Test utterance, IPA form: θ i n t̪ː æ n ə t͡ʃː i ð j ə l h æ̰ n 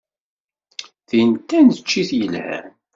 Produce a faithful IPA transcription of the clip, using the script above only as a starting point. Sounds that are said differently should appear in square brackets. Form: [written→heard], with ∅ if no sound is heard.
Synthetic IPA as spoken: θ i n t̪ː æ n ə t͡ʃː i [ð→θ] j ə l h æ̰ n